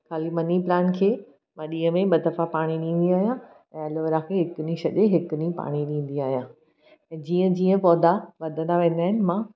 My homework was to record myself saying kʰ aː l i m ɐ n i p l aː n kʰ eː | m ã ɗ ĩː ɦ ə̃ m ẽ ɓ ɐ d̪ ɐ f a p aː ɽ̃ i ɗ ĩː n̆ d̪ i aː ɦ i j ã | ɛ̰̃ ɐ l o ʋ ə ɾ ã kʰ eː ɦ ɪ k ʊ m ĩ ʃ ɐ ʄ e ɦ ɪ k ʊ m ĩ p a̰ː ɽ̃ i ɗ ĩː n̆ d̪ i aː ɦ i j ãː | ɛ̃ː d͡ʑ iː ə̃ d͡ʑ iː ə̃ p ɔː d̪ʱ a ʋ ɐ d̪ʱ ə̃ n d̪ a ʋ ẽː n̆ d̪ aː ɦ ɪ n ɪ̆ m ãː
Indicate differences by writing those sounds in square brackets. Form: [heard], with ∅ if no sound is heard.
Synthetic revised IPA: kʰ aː l i m ɐ n i p l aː n kʰ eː | m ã ɗ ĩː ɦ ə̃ m ẽ ɓ ɐ d̪ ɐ f a p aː ɽ̃ i ɗ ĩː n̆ d̪ i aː ɦ i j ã | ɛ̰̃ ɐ l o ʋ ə ɾ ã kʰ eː ɦ ɪ k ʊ [n] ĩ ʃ ɐ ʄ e ɦ ɪ k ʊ [n] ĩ p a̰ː ɽ̃ i ɗ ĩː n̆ d̪ i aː ɦ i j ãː | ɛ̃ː d͡ʑ iː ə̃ d͡ʑ iː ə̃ p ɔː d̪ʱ a ʋ ɐ d̪ʱ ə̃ n d̪ a ʋ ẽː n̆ d̪ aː ɦ ɪ n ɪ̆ m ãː